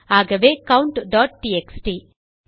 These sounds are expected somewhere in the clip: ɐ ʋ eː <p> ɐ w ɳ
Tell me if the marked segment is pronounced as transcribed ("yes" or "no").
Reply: no